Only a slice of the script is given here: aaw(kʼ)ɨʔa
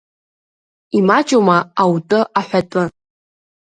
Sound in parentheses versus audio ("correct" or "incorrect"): incorrect